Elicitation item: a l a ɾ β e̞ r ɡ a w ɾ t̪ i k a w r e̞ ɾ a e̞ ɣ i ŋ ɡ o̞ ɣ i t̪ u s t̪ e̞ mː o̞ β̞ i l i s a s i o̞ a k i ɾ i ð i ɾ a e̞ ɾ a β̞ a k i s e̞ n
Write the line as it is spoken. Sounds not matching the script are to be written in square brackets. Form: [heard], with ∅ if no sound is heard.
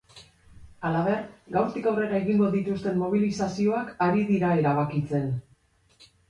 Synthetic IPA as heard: a l a [∅] β e̞ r ɡ a w ɾ t̪ i k a w r e̞ ɾ a e̞ ɣ i ŋ ɡ o̞ [ð] i t̪ u s t̪ e̞ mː o̞ β̞ i l i s a s i o̞ a k [a] ɾ i ð i ɾ a e̞ ɾ a β̞ a k i [t͡s] e̞ n